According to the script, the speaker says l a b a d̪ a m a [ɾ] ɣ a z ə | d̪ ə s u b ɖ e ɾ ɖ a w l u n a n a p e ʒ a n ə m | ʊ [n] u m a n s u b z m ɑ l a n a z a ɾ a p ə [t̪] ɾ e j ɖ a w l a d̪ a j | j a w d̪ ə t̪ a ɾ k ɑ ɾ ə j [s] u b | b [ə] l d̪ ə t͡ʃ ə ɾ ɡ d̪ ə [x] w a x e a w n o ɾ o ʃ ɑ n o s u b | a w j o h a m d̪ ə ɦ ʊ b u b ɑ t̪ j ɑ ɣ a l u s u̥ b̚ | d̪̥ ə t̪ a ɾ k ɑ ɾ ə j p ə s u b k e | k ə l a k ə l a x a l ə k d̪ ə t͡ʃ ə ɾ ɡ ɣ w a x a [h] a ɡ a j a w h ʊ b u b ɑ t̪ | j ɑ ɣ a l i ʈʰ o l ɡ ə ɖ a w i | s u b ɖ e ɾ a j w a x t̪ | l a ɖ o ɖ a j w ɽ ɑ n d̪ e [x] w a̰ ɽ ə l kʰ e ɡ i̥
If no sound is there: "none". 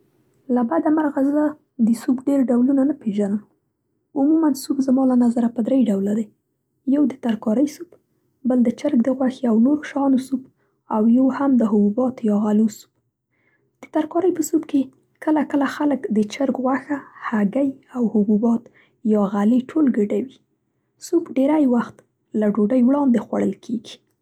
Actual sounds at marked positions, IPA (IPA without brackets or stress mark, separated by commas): ɾ, m, d̪, s, ə, ɣ, h, x